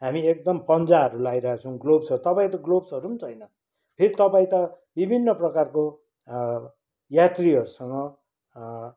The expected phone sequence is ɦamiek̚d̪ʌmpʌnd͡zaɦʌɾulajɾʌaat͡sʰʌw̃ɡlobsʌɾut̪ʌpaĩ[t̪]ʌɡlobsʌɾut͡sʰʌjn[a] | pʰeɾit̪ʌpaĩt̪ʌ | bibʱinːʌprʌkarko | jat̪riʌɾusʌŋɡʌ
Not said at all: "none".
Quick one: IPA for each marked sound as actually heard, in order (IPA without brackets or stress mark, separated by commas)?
t̪, ʌ